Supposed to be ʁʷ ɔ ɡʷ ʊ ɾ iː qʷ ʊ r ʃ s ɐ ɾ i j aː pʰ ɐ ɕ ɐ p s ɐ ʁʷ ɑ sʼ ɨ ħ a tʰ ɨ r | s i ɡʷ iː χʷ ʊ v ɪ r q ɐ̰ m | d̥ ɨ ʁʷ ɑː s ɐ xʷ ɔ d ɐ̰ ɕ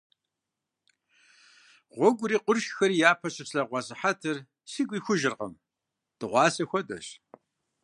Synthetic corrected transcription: ʁʷ ɔ ɡʷ ʊ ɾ iː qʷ ʊ r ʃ x ɐ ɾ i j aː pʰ ɐ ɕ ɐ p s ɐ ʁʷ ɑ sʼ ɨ ħ a tʰ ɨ r | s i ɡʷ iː xʷ ʊ ʒ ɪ r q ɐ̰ m | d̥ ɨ ʁʷ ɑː s ɐ xʷ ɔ d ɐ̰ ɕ